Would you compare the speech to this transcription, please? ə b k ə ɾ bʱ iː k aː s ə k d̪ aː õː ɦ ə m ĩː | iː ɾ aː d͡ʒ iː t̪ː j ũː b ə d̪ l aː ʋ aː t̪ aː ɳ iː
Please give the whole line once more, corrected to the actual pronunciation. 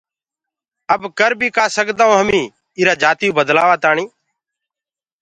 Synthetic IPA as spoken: ə b k ə ɾ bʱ iː k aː s ə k d̪ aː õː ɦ ə m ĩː | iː ɾ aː d͡ʒ aː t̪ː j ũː b ə d̪ l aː ʋ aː t̪ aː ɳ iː